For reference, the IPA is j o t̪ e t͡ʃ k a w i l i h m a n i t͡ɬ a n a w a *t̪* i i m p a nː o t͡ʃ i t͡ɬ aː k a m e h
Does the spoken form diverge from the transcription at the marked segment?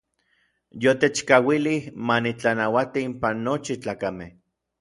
no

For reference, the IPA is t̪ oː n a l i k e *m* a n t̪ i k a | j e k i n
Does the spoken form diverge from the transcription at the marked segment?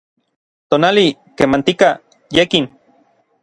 no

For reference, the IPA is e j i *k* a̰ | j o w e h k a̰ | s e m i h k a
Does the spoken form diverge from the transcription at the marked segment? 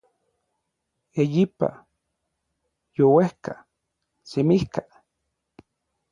yes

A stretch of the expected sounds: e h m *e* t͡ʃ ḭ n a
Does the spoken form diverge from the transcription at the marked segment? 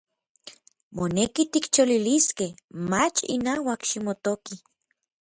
yes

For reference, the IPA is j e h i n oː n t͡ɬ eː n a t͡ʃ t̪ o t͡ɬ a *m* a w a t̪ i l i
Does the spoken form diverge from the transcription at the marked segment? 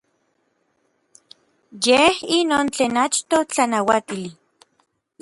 yes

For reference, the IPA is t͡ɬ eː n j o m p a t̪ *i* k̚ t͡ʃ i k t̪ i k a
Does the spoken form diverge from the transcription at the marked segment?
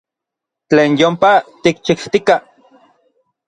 no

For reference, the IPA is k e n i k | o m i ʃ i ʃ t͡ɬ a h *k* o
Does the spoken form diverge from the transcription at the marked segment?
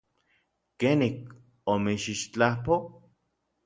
yes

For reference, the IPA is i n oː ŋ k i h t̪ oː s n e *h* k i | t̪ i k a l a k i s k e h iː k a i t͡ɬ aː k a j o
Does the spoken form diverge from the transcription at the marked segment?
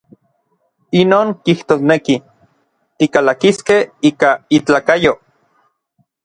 yes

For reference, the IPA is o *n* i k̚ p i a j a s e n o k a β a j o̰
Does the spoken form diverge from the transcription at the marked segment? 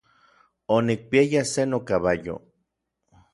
no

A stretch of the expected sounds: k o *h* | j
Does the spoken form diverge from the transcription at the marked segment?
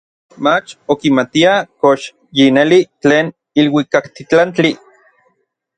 yes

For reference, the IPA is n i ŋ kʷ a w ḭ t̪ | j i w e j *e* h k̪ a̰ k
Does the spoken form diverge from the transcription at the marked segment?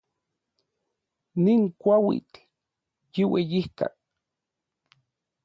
yes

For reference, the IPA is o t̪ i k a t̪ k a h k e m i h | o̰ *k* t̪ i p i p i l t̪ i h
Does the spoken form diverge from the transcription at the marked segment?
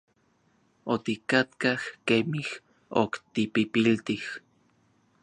no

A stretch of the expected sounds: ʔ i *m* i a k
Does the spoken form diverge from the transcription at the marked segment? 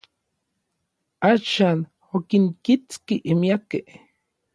no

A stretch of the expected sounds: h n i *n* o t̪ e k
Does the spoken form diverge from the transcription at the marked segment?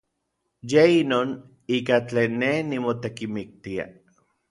yes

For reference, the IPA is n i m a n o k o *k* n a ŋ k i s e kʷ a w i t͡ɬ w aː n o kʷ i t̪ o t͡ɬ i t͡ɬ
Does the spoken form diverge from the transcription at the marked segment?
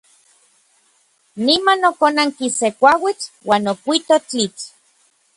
yes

